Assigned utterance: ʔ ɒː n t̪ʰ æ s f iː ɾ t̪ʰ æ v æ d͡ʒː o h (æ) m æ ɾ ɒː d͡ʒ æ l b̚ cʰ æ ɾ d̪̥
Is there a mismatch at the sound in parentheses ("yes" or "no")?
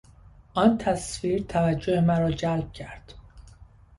yes